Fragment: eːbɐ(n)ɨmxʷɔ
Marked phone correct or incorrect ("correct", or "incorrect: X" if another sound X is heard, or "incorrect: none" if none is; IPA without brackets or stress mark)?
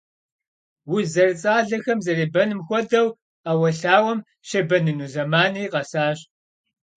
correct